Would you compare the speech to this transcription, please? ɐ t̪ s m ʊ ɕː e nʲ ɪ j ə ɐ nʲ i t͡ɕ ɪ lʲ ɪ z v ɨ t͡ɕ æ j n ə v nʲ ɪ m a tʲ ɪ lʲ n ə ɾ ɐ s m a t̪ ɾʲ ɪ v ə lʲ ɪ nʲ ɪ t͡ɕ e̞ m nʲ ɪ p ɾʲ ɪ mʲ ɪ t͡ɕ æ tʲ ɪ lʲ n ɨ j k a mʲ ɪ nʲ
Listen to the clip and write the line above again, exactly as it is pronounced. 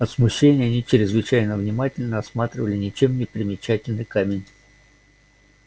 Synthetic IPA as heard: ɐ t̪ s m ʊ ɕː e nʲ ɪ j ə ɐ nʲ i t͡ɕ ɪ ɾʲ ɪ z v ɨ t͡ɕ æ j n ə v nʲ ɪ m a tʲ ɪ lʲ n ə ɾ ɐ s m a t̪ ɾʲ ɪ v ə lʲ ɪ nʲ ɪ t͡ɕ e̞ m nʲ ɪ p ɾʲ ɪ mʲ ɪ t͡ɕ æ tʲ ɪ lʲ n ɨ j k a mʲ ɪ nʲ